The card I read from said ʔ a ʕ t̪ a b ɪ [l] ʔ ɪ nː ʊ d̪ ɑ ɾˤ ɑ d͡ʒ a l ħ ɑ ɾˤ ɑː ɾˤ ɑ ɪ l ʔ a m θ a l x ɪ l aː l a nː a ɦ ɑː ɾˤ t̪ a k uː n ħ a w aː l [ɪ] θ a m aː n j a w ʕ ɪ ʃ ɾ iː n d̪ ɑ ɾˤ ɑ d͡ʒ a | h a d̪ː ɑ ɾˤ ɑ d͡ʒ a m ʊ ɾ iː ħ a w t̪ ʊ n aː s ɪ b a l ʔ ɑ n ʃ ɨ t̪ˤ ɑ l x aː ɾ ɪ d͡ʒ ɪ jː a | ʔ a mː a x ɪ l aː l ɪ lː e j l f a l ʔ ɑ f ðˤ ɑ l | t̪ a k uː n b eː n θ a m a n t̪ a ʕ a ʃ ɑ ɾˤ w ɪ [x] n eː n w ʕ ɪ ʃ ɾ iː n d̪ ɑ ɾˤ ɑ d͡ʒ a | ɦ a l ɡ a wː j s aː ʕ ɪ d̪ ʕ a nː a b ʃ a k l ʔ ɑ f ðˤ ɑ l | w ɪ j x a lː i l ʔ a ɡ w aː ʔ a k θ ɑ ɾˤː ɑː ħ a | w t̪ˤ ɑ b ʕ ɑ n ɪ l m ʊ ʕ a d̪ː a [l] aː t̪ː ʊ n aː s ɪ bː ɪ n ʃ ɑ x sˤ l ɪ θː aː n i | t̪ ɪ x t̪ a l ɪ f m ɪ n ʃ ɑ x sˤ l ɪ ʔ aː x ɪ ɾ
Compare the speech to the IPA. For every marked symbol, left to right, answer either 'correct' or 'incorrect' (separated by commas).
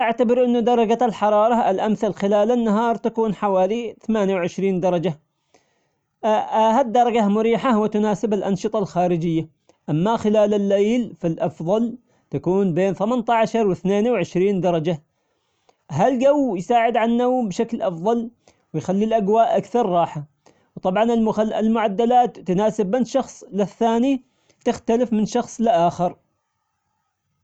incorrect, incorrect, incorrect, correct